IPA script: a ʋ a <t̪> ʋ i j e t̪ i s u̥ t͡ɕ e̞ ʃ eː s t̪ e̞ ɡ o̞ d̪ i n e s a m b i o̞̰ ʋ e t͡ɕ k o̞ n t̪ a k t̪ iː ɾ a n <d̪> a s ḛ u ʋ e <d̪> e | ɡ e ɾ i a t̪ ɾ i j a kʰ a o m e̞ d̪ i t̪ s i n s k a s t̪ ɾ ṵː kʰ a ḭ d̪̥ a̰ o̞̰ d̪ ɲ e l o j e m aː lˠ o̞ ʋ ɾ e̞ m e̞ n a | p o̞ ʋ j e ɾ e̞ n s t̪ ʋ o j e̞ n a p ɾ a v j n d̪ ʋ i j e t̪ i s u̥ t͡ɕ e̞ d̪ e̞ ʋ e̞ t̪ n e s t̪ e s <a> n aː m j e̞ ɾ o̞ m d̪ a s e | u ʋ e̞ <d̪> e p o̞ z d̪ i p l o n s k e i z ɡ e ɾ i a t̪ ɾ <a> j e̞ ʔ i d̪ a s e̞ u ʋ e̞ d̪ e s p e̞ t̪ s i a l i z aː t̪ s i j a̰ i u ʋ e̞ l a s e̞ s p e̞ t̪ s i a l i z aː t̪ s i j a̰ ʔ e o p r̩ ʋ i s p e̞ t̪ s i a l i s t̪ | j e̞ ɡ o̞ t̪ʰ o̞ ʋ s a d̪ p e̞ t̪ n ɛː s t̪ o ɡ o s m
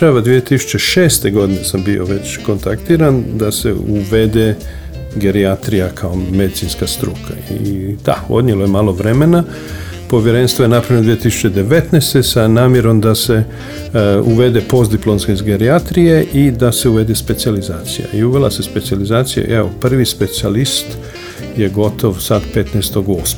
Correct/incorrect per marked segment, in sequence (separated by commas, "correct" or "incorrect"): incorrect, correct, correct, correct, correct, incorrect